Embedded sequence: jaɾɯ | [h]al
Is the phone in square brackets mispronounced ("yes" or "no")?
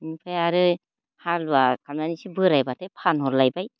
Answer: no